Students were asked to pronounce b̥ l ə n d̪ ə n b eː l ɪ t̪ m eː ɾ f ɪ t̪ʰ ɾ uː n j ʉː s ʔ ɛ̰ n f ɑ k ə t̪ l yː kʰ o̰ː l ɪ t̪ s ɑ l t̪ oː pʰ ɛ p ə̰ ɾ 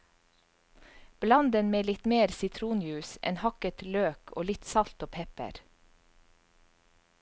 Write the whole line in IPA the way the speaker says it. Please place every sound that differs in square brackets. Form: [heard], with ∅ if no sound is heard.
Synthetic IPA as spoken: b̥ l [ɑ] n d̪ ə n [m] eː l ɪ t̪ m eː ɾ [s] ɪ t̪ʰ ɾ uː n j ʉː s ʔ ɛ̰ n [h] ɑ k ə t̪ l [øː] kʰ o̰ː l ɪ t̪ s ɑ l t̪ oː pʰ ɛ p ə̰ ɾ